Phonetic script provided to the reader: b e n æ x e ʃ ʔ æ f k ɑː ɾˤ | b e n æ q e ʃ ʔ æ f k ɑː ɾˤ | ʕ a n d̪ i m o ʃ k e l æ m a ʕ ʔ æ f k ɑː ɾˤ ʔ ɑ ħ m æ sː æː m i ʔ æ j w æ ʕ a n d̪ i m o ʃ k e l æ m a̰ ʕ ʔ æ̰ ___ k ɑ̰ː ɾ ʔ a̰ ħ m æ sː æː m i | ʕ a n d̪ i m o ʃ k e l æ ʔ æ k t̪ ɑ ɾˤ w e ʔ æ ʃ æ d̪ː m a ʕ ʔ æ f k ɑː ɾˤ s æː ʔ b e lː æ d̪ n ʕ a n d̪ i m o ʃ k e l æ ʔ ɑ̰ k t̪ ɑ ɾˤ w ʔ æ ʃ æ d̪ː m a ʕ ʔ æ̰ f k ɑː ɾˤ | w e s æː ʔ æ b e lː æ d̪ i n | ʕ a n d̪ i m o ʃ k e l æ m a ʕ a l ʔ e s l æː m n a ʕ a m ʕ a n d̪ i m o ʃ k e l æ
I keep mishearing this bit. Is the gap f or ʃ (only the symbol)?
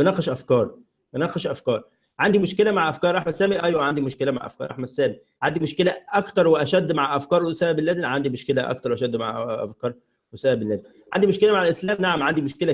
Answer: f